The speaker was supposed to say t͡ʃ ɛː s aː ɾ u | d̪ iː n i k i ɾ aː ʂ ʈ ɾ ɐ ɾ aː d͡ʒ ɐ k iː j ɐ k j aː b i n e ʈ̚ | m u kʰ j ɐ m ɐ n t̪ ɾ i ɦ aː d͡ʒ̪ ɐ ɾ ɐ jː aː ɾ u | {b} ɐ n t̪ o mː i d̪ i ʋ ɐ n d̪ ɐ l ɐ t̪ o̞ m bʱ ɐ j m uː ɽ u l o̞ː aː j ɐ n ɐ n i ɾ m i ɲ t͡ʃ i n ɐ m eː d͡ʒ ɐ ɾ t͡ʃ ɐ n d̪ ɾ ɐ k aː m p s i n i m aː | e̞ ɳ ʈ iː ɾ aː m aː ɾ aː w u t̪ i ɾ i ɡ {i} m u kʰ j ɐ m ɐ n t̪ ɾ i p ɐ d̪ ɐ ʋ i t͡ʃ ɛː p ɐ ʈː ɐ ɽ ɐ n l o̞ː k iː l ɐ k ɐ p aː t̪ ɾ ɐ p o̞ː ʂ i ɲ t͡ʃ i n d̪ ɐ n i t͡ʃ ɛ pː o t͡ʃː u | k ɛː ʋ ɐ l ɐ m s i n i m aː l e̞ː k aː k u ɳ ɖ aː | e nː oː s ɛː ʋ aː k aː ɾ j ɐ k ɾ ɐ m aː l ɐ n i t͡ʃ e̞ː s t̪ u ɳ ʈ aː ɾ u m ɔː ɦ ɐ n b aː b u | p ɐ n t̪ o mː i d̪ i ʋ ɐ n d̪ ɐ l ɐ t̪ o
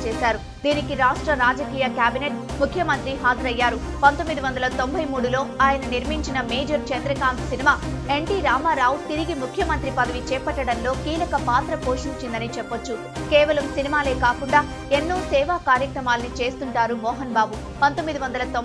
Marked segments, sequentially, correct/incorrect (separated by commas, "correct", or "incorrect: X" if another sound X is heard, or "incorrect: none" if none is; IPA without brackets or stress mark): incorrect: p, correct